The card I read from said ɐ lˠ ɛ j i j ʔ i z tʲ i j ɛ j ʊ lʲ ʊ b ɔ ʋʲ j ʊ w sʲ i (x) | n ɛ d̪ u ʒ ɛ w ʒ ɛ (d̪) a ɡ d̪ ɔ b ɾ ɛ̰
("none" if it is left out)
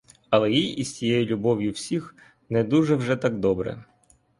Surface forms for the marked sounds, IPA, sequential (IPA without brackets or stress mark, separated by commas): x, t̪